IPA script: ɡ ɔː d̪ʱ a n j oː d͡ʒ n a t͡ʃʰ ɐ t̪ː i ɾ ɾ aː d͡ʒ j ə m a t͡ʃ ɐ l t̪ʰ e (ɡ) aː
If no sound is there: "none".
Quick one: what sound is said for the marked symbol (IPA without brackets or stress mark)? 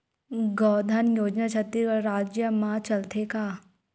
k